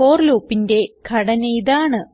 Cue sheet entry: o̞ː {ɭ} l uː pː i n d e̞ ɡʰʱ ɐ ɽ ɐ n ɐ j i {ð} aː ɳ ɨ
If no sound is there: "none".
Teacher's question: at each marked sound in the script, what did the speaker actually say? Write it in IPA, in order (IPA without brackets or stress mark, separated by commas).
r, ð